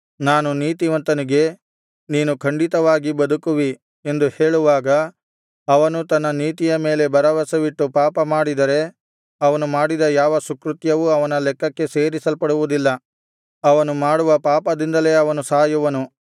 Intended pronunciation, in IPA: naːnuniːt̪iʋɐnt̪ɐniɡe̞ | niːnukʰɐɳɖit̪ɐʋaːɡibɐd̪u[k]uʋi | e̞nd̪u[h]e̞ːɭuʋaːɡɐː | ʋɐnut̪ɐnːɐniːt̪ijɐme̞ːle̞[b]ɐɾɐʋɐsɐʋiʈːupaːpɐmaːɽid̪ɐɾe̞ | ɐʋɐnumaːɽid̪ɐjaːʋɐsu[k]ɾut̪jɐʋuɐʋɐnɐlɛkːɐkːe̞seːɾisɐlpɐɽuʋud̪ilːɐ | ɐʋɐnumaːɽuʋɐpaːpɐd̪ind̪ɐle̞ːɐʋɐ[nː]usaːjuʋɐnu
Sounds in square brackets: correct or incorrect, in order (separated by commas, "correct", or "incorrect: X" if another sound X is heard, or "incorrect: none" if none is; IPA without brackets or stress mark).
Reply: correct, correct, correct, correct, incorrect: n